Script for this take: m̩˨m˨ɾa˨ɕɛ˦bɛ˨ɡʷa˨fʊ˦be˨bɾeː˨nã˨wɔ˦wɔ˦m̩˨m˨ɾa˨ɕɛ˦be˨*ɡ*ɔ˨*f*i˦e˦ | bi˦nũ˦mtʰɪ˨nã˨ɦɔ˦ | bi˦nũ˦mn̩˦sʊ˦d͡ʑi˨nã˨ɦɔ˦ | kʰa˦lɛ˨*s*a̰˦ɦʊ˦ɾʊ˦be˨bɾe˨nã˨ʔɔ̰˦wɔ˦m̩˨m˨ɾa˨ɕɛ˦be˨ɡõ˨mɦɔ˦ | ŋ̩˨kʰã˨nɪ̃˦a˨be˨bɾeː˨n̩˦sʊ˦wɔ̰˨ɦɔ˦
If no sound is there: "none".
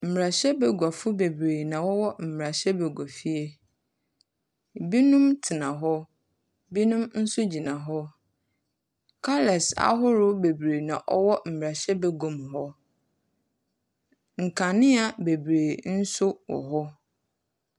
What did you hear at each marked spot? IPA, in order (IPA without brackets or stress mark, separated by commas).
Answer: ɡ, f, s